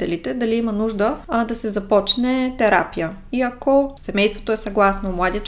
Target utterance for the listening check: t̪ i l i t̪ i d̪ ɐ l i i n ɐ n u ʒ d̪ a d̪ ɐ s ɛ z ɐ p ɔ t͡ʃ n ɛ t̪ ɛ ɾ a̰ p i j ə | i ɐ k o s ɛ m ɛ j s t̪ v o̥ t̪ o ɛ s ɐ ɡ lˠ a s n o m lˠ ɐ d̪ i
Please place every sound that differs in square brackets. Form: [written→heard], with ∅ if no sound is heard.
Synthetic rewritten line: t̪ [i→ɛ] l i t̪ [i→ɛ] d̪ ɐ l i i [n→m] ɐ n u ʒ d̪ [a→ə] d̪ ɐ s ɛ z ɐ p ɔ t͡ʃ n ɛ t̪ ɛ ɾ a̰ p i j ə | i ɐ k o s ɛ m ɛ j s t̪ v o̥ t̪ o ɛ s ɐ ɡ lˠ a s n o m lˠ [ɐ→a] d̪ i